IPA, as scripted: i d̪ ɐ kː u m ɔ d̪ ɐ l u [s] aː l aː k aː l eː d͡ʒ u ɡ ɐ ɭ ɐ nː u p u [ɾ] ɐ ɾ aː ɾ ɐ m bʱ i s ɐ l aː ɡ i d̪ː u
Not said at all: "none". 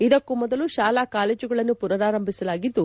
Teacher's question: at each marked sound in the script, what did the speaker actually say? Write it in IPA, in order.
ʃ, ɾ

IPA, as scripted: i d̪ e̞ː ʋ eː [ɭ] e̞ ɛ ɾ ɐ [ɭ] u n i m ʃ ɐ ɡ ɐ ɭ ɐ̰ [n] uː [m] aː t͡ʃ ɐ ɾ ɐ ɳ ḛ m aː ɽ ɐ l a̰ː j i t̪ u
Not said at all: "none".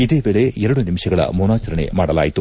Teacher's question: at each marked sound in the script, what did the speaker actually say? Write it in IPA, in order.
ɭ, ɽ, m, n

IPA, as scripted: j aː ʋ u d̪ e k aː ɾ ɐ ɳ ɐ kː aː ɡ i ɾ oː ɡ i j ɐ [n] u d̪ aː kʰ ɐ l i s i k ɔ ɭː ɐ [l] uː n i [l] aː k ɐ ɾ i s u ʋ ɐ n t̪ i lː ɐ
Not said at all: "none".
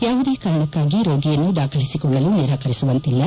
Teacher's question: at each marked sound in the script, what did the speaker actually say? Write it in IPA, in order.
nː, l, ɾ

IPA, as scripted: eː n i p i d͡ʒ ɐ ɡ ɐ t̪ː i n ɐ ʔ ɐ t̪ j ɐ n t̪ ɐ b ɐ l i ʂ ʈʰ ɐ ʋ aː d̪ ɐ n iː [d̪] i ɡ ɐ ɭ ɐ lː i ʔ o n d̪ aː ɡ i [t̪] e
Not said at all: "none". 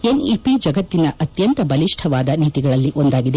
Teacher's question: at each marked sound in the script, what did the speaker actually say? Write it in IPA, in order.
t̪, d̪

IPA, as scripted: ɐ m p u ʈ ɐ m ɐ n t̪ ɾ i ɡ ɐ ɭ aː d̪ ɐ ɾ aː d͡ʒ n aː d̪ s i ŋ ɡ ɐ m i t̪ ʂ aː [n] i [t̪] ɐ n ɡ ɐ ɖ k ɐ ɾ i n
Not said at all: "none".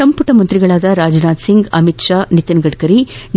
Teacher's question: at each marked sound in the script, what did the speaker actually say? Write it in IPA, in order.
n, t̪

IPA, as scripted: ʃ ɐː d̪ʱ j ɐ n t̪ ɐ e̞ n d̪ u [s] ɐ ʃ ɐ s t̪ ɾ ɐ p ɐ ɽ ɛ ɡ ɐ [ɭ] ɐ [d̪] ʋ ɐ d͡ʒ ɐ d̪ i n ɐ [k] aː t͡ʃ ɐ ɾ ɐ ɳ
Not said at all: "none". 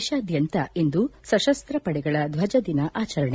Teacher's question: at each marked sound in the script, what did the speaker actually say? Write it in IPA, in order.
s, ɭ, d̪, ʔ

